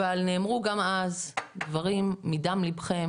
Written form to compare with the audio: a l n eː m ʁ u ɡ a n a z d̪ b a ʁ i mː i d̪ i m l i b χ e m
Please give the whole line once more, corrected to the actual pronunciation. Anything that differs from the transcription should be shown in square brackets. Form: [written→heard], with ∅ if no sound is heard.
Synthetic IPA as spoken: a l n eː m ʁ u ɡ a [n→m] a z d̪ [b→v] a ʁ i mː i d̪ [i→a] m l i b χ e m